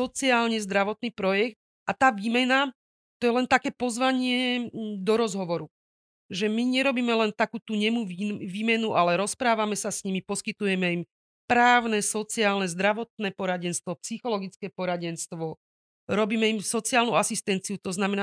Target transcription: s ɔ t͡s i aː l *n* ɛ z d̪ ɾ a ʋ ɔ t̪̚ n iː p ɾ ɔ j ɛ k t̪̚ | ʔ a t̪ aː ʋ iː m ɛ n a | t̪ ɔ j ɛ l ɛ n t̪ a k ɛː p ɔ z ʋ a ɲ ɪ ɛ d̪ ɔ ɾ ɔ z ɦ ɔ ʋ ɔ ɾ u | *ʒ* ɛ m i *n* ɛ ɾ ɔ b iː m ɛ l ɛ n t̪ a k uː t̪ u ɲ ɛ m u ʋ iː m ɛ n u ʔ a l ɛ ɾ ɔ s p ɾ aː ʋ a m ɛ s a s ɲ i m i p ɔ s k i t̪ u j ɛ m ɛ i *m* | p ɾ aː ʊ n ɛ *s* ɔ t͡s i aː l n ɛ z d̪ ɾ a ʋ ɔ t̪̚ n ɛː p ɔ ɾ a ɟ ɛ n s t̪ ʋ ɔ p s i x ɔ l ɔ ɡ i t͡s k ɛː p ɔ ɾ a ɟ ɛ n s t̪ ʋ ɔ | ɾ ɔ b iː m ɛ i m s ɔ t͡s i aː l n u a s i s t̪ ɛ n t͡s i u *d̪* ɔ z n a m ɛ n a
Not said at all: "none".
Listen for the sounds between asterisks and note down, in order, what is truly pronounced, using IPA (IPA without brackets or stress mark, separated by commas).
ɲ, ʒ, ɲ, m, s, t̪